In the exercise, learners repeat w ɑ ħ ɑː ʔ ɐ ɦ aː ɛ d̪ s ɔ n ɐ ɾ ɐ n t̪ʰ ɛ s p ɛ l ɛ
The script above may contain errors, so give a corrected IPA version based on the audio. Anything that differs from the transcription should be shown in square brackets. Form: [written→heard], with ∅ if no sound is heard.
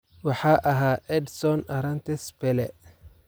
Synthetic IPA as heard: w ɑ ħ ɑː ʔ ɐ ɦ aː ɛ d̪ s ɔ n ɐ ɾ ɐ n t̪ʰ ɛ s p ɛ l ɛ